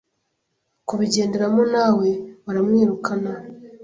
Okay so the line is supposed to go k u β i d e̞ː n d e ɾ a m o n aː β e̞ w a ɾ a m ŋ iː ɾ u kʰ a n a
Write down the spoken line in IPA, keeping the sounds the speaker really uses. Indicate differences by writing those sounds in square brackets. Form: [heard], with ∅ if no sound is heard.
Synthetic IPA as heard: k u β i [ɟ] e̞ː n d e ɾ a m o n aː [w] e̞ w a ɾ a m ŋ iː ɾ u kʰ a n a